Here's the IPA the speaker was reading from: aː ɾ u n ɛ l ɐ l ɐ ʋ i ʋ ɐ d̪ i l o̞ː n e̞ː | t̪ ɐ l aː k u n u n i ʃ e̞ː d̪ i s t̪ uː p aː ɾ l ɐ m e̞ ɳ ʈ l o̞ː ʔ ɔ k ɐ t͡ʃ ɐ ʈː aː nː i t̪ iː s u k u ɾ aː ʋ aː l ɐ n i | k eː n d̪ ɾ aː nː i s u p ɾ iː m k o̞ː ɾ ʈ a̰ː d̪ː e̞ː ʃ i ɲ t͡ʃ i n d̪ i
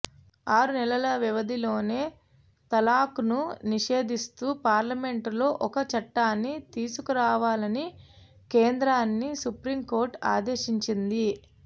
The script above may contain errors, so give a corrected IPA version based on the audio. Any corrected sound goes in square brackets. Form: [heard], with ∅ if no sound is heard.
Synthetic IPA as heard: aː ɾ u n ɛ l ɐ l ɐ ʋ i ʋ ɐ d̪ i l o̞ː n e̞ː | t̪ ɐ l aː k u n u n i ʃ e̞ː d̪ i s t̪ uː p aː ɾ l ɐ m e̞ ɳ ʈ l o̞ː ʔ ɔ k ɐ t͡ʃ ɐ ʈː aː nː i t̪ iː s u k u ɾ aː ʋ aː l ɐ n i | k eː n d̪ ɾ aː nː i s u p ɾ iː m k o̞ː ɾ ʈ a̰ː [d̪] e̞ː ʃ i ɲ t͡ʃ i n d̪ i